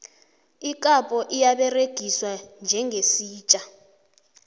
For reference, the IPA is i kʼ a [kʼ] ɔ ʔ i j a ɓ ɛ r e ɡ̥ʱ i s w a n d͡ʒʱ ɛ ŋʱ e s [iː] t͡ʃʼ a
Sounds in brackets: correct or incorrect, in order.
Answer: incorrect: pʼ, correct

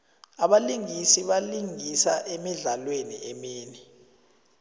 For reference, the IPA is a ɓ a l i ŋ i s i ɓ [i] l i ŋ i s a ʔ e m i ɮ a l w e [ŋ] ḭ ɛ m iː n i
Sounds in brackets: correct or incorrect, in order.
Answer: incorrect: a, incorrect: n

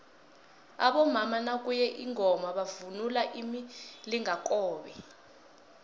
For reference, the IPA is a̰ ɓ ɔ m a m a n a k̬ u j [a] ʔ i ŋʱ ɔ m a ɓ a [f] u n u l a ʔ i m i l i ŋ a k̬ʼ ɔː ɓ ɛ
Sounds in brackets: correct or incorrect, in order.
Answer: incorrect: ɛ, incorrect: v

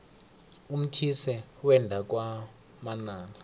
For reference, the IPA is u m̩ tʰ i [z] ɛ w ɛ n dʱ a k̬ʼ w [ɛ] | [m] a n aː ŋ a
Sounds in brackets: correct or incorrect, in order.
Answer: incorrect: s, incorrect: a, correct

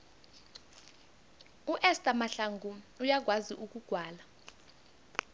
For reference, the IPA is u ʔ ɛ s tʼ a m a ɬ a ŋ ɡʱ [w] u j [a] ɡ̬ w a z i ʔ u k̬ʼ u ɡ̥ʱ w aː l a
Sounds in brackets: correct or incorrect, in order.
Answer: incorrect: u, correct

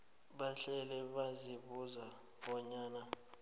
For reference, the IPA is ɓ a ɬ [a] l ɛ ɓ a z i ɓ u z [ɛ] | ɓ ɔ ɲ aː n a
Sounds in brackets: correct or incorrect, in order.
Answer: incorrect: ɛ, incorrect: a

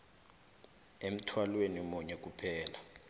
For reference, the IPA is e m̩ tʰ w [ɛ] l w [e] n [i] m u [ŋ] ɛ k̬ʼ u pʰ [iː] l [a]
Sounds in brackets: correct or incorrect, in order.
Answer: incorrect: a, correct, correct, incorrect: ɲ, incorrect: ɛː, correct

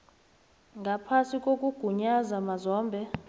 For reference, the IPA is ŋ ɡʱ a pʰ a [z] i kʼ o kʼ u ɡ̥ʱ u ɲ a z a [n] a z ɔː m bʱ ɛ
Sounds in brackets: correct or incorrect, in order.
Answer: incorrect: s, incorrect: m

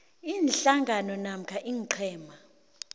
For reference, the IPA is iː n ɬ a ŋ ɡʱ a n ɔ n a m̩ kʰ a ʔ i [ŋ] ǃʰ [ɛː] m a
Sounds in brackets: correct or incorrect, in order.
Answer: correct, correct

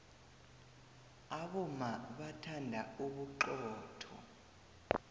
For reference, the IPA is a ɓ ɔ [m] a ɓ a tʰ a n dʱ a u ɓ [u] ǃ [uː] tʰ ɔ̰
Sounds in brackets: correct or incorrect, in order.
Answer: correct, correct, incorrect: ɔː

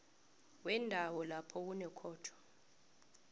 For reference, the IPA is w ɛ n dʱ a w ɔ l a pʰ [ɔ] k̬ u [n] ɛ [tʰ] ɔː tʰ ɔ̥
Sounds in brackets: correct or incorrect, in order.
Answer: correct, correct, incorrect: kʰ

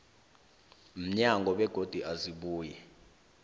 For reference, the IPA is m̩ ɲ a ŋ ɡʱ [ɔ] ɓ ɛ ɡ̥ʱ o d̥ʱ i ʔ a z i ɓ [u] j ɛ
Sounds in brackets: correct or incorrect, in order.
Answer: correct, incorrect: uː

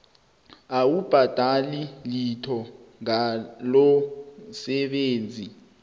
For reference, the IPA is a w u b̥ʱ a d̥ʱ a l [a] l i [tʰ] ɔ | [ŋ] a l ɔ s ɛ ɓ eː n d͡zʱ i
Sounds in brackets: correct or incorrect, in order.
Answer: incorrect: i, correct, correct

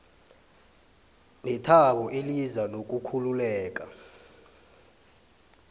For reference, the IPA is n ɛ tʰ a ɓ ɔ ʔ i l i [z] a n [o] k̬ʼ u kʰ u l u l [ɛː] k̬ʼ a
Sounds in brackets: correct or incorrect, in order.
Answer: correct, correct, correct

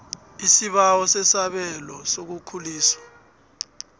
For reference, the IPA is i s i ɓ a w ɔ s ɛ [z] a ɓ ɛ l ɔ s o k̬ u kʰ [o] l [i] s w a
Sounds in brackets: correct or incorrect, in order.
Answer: incorrect: s, incorrect: u, incorrect: iː

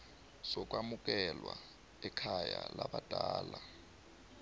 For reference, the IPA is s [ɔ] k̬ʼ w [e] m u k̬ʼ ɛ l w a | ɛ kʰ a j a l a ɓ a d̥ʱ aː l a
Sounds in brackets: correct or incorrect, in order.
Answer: correct, incorrect: a

